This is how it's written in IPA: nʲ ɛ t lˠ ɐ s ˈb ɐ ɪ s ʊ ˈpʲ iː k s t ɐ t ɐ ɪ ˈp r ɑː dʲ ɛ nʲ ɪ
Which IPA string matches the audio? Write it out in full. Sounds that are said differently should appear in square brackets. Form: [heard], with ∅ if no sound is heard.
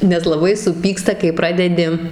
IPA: nʲ ɛ [s] lˠ ɐ [∅] ˈb ɐ ɪ s ʊ ˈpʲ iː k s t ɐ [k] ɐ ɪ ˈp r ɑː dʲ ɛ [dʲ] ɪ